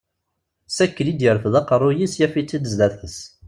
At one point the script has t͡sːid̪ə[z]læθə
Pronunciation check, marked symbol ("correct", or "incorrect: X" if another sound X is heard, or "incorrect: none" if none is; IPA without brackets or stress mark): correct